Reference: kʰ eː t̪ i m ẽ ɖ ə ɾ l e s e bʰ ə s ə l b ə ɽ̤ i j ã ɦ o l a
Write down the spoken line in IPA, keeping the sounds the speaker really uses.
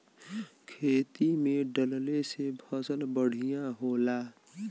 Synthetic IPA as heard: kʰ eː t̪ i m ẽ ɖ ə l l e s e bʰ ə s ə l b ə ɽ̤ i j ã ɦ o l a